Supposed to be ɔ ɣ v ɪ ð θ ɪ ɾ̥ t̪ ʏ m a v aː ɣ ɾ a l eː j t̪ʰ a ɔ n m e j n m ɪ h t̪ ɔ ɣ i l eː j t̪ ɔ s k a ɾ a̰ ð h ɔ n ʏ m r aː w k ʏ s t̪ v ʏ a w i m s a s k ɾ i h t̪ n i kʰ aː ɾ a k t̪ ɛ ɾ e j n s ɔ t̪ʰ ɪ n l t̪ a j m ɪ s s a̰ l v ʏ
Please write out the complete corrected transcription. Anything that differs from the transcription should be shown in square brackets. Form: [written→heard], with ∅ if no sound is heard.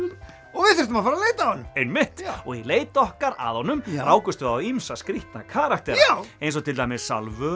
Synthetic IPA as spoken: ɔ ɣ v ɪ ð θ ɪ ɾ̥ t̪ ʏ m a [v→f] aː [ɣ→∅] ɾ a l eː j [t̪ʰ→t̪] a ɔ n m e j n m ɪ h t̪ ɔ ɣ i l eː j t̪ ɔ [s→h] k a ɾ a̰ ð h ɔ n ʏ m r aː w k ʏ s t̪ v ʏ a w i m s a s k ɾ i h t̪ n [i→a] kʰ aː ɾ a k t̪ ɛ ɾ e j n s ɔ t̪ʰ ɪ [n→∅] l t̪ a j m ɪ s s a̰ l v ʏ

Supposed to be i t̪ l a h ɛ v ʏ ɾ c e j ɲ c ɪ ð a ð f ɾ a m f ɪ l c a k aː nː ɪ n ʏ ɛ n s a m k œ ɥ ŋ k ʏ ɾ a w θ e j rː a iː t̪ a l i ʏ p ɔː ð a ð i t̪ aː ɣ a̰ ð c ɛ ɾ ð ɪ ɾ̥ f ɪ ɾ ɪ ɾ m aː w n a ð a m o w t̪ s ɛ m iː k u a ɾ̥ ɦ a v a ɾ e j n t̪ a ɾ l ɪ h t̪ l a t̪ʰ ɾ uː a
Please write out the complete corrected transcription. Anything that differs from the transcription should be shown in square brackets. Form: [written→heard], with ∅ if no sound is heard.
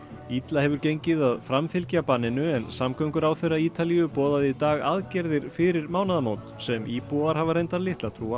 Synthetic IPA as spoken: i t̪ l a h ɛ v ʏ ɾ c e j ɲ c ɪ ð a ð f ɾ a m f ɪ l c a [k→p] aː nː ɪ n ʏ ɛ n s a m k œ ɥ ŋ k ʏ ɾ a w θ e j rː a iː t̪ a l i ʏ p ɔː ð a ð i t̪ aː ɣ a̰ ð c ɛ ɾ ð ɪ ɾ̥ f ɪ ɾ ɪ ɾ m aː w n a ð a m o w t̪ s ɛ m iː [k→p] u a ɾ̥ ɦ a v a ɾ e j n t̪ a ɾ l ɪ h t̪ l a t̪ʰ ɾ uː a

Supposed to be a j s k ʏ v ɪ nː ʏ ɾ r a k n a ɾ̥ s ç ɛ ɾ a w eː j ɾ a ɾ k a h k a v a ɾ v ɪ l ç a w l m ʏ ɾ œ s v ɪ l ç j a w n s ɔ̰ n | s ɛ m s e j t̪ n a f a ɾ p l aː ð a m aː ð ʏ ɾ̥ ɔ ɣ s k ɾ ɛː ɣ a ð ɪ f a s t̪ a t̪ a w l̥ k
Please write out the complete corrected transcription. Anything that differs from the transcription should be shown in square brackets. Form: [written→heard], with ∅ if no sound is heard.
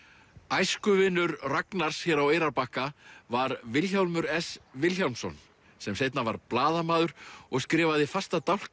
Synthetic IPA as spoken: a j s k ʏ v ɪ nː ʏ ɾ r a k n a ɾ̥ s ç ɛ ɾ a w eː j ɾ a ɾ [k→p] a h k a v a ɾ v ɪ l ç a w l m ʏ ɾ [œ→ɛ] s v ɪ l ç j a w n s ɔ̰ n | s ɛ m s e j t̪ n a [f→v] a ɾ p l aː ð a m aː ð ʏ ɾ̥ ɔ ɣ s k ɾ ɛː [ɣ→v] a ð ɪ f a s t̪ a t̪ a w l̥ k

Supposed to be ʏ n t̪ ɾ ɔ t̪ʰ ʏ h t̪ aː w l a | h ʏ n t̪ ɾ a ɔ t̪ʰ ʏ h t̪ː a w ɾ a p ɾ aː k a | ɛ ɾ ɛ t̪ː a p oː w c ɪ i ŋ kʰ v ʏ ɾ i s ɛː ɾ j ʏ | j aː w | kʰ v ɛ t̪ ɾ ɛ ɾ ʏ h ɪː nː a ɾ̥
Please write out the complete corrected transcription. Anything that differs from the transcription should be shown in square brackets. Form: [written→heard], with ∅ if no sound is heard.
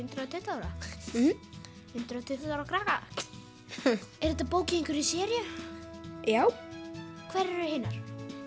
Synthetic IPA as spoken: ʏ n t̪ ɾ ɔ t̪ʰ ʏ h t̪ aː w [l→ɾ] a | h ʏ n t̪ ɾ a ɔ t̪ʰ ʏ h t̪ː a w ɾ a [p→k] ɾ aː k a | ɛ ɾ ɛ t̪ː a p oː w c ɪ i ŋ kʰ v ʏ ɾ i s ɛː ɾ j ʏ | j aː w | kʰ v ɛ [t̪→∅] ɾ ɛ ɾ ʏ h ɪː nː a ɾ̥

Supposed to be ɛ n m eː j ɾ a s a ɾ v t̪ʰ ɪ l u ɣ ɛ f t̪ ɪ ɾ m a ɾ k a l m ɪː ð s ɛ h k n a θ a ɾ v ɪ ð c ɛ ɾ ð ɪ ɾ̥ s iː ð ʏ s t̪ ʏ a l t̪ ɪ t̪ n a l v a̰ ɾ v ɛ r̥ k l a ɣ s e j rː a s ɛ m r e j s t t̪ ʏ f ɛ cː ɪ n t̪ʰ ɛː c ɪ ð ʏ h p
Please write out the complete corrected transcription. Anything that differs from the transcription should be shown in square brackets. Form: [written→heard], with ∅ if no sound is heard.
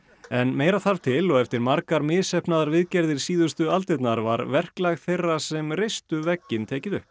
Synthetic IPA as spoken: ɛ n m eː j ɾ a [s→θ] a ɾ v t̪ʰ ɪ l [u→ɔ] ɣ ɛ f t̪ ɪ ɾ m a ɾ k a [l→ɾ] m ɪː ð s ɛ h [k→p] n a [θ→ð] a ɾ v ɪ ð c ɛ ɾ ð ɪ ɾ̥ s iː ð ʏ s t̪ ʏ a l t̪ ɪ t̪ n a [l→ɾ] v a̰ ɾ v ɛ r̥ k l a ɣ [s→θ] e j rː a s ɛ m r e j s t t̪ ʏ [f→v] ɛ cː ɪ n t̪ʰ ɛː c ɪ ð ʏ h p

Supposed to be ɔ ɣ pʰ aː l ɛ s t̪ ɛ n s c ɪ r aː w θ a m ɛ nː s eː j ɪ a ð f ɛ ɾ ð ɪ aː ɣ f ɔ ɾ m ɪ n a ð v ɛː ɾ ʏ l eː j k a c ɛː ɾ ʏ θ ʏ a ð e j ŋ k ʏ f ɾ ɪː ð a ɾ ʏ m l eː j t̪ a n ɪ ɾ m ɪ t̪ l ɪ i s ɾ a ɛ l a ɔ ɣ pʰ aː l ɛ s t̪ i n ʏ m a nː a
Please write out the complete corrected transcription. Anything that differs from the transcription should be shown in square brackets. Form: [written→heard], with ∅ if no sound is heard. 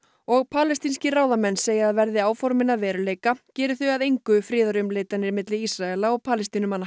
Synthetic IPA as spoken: ɔ ɣ pʰ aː l ɛ s t̪ [ɛ→i] n s c ɪ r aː w [θ→ð] a m ɛ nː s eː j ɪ a ð [f→v] ɛ ɾ ð ɪ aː [ɣ→w] f ɔ ɾ m ɪ n a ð v ɛː ɾ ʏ l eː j k a c ɛː ɾ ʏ θ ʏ a ð e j ŋ k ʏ f ɾ ɪː ð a ɾ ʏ m l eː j t̪ a n ɪ ɾ m ɪ t̪ l ɪ i s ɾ a ɛ l a ɔ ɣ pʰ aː l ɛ s t̪ i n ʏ m a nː a

